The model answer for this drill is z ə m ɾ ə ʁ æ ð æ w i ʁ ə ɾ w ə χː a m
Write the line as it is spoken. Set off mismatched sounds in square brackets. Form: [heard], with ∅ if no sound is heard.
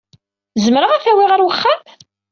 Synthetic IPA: z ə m ɾ ə ʁ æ [θ] æ w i ʁ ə ɾ w ə χː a m